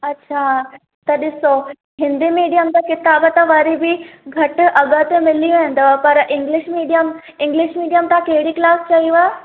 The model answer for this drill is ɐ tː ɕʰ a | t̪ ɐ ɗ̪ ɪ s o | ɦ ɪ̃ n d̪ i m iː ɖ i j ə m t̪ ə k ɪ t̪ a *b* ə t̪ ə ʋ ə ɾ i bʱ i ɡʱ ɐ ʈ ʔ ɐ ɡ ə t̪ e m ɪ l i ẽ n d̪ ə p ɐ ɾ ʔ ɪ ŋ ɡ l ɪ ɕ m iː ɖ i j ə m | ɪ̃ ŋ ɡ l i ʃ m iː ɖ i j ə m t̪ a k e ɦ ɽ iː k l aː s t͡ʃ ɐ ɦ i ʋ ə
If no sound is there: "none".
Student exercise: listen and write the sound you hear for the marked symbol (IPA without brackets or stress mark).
b